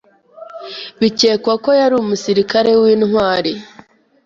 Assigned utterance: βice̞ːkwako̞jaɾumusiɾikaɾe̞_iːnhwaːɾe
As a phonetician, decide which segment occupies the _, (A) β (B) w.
B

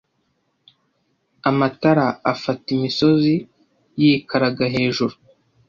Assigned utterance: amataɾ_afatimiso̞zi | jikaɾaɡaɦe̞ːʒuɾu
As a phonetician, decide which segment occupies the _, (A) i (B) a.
B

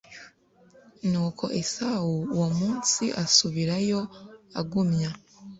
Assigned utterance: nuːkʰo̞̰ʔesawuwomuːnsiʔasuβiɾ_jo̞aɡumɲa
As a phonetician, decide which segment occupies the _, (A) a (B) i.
A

